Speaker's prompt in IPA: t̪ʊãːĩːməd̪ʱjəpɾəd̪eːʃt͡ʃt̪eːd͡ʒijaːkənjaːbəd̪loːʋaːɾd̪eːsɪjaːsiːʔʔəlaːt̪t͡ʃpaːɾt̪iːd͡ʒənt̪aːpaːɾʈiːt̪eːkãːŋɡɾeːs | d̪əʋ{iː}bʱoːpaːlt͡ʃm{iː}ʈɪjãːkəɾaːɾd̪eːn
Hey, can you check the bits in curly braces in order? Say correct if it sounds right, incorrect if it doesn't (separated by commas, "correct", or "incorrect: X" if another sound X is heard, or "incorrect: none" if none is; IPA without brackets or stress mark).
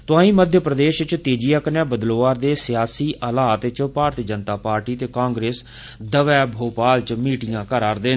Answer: incorrect: ɛː, correct